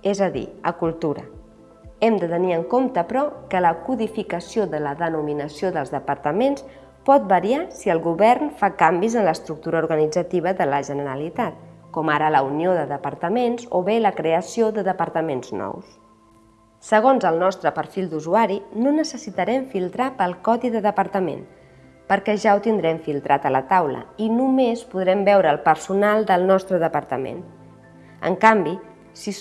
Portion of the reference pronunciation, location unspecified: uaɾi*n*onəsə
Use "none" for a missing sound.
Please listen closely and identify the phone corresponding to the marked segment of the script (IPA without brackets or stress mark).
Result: n